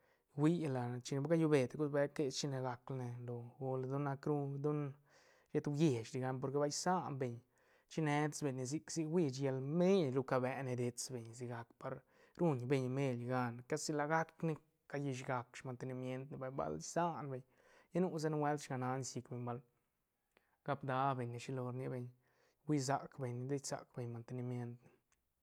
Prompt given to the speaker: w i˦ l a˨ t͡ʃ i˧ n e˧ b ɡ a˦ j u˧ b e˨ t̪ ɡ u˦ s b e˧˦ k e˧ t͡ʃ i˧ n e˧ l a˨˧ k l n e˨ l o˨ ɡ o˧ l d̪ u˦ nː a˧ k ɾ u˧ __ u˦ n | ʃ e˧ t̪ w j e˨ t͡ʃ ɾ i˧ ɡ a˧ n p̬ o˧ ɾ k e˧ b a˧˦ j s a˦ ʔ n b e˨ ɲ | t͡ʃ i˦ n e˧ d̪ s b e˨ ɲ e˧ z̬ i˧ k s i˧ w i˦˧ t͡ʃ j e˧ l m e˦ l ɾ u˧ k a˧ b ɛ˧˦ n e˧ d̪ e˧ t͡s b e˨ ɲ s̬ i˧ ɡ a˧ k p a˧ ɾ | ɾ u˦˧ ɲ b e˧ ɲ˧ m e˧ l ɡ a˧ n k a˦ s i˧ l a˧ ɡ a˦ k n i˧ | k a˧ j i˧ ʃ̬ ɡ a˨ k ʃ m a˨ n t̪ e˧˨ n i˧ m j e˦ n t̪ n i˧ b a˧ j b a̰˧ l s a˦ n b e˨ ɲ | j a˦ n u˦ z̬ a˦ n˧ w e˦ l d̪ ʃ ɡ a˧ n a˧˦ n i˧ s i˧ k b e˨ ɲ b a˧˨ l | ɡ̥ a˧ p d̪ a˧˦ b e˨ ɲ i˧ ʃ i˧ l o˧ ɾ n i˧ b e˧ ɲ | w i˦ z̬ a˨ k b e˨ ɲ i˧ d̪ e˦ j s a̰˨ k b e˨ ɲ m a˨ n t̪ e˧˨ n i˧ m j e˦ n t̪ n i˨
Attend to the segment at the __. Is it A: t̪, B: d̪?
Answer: B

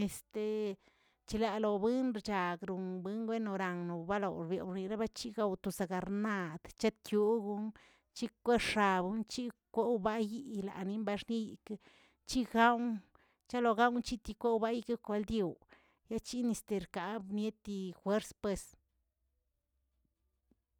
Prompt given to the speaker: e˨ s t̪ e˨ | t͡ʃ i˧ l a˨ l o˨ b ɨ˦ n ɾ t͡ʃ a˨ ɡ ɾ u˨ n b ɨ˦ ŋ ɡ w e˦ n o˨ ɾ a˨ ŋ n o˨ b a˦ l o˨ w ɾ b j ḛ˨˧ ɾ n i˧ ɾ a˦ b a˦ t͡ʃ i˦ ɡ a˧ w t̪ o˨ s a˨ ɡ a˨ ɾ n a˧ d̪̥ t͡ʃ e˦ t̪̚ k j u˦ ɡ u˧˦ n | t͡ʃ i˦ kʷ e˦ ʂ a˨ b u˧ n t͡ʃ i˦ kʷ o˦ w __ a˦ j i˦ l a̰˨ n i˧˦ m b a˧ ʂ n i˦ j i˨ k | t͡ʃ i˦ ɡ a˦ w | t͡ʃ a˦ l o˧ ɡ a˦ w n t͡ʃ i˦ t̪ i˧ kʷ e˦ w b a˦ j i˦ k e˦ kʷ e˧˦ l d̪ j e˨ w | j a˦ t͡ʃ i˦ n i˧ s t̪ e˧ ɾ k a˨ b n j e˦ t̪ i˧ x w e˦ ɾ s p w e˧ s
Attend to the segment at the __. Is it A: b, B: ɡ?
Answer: A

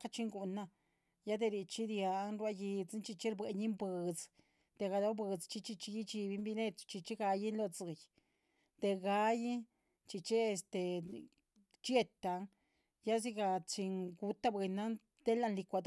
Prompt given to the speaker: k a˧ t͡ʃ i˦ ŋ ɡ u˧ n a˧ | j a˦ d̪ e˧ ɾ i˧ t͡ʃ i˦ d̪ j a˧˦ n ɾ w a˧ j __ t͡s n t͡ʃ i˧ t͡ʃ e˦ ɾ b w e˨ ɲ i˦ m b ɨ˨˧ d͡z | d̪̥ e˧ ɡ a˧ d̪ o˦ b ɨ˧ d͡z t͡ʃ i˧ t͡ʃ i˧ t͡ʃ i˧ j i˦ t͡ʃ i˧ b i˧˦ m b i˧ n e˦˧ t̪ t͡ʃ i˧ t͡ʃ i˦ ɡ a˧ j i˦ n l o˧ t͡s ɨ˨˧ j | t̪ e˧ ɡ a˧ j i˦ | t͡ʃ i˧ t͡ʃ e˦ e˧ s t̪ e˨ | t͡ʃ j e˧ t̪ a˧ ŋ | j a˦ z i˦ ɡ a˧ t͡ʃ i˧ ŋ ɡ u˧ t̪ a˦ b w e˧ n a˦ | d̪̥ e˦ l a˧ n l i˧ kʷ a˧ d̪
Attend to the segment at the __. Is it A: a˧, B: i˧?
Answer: B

